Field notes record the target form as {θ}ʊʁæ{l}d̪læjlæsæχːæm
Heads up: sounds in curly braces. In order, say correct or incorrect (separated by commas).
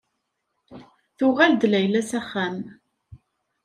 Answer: correct, correct